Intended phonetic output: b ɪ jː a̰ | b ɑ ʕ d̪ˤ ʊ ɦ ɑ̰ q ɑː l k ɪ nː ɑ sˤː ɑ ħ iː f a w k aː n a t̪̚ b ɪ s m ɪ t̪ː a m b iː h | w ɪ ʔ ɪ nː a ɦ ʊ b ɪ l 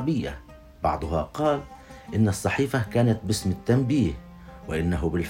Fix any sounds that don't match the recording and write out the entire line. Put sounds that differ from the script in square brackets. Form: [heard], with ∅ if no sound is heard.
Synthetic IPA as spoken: b ɪ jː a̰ | b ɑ ʕ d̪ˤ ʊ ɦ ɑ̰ q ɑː l [ʔ] ɪ nː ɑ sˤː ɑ ħ iː f a [∅] k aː n a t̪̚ b ɪ s m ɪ t̪ː a m b iː h | w ɪ ʔ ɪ nː a ɦ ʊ b ɪ l